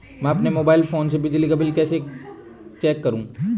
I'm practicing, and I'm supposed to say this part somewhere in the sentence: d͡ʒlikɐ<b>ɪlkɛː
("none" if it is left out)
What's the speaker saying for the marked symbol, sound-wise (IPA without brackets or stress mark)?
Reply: b